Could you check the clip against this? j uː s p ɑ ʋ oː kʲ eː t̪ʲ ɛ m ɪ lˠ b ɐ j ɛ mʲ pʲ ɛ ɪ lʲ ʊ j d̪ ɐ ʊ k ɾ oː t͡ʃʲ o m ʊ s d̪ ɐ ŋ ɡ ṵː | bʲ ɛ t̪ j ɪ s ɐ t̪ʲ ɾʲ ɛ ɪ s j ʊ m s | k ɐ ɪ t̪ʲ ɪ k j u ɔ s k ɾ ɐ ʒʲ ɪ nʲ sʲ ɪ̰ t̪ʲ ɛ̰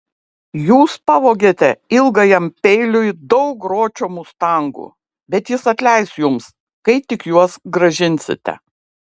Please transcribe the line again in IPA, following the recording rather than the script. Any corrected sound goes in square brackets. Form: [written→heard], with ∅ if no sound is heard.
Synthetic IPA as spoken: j uː s p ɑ ʋ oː [kʲ→ɡʲ] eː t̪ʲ ɛ [m→∅] ɪ lˠ [b→ɡ] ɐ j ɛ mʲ pʲ ɛ ɪ lʲ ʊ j d̪ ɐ ʊ k ɾ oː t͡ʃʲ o m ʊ s [d̪→t̪] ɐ ŋ ɡ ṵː | bʲ ɛ t̪ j ɪ s ɐ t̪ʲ [ɾʲ→lʲ] ɛ ɪ s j ʊ m s | k ɐ ɪ t̪ʲ ɪ k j u ɔ s [k→ɡ] ɾ ɐ ʒʲ ɪ nʲ sʲ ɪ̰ t̪ʲ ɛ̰